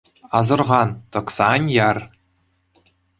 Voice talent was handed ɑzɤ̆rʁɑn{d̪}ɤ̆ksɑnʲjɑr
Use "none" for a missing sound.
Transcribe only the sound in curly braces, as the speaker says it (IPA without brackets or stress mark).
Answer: t̪